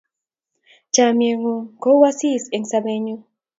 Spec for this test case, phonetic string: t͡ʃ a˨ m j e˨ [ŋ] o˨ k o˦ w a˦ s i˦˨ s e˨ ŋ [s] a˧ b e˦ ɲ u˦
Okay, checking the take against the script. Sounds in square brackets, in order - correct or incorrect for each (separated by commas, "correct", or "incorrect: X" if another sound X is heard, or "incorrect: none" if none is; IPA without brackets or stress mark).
correct, correct